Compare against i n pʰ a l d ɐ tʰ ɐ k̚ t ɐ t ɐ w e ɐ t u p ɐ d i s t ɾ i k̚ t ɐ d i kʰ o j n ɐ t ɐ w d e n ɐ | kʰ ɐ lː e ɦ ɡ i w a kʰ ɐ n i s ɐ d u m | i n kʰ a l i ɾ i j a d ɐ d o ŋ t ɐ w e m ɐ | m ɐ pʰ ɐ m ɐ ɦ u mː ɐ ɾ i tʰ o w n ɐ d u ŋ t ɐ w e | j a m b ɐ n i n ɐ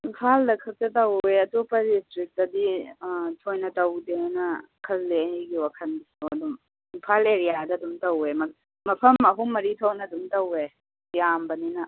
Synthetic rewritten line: i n pʰ a l d ɐ kʰ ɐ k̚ t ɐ t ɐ w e ɐ t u p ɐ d i s t ɾ i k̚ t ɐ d i tʰ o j n ɐ t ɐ w d e n ɐ | kʰ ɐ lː e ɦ ɡ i w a kʰ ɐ n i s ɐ d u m | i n pʰ a l e ɾ i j a d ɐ d u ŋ t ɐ w e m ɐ | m ɐ pʰ ɐ m ɐ ɦ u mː ɐ ɾ i tʰ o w n ɐ d u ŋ t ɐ w e | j a m b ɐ n i n ɐ